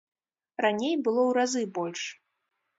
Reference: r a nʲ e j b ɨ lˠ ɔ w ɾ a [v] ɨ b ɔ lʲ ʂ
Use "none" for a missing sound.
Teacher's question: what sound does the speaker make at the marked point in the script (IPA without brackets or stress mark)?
z